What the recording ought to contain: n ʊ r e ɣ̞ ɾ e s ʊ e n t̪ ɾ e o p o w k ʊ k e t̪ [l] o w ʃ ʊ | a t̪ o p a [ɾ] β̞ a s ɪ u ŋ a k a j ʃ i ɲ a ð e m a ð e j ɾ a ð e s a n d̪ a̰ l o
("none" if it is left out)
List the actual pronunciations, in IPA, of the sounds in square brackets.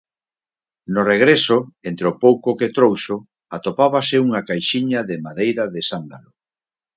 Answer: ɾ, none

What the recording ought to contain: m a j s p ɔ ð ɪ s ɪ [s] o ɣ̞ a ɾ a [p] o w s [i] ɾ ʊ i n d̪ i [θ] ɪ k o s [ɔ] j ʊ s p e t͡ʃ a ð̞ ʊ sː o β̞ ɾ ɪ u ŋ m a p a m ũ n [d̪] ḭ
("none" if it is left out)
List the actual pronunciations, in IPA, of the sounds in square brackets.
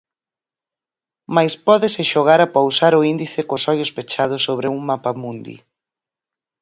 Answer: ʃ, p, a, θ, ɔ, d̪

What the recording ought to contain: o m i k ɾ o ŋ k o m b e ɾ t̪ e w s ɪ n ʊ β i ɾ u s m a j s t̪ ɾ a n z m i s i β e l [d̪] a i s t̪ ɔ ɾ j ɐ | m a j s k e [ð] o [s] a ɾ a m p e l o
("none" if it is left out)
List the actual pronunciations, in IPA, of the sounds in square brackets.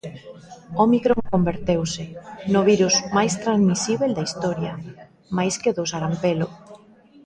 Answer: d̪, ð, s

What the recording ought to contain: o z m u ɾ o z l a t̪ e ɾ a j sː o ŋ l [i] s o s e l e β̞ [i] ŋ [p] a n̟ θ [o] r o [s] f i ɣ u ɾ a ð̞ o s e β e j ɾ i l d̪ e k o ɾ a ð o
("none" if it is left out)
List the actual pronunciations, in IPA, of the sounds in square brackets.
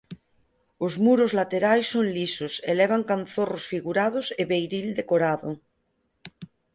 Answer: i, a, k, o, s

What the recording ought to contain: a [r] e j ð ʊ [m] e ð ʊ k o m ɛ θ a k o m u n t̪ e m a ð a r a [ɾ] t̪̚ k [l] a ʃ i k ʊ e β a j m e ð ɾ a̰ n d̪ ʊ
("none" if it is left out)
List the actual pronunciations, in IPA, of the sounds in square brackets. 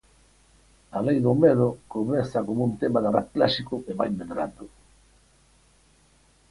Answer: l, m, none, l

